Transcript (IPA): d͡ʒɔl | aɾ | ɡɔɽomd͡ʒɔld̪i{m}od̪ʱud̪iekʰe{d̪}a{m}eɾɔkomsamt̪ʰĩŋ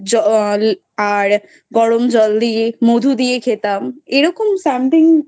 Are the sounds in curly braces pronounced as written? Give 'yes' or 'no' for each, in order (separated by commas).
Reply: yes, no, yes